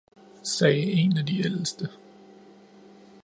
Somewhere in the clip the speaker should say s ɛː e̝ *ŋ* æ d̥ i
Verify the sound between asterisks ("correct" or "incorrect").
incorrect